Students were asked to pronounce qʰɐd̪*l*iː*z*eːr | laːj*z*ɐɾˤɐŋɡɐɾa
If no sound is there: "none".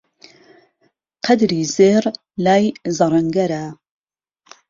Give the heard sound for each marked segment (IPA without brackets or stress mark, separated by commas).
ɾ, z, z